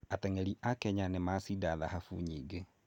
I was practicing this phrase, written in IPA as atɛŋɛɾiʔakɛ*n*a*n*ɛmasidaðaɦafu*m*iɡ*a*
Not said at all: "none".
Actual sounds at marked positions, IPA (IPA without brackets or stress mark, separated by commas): ɲ, n, ɲ, e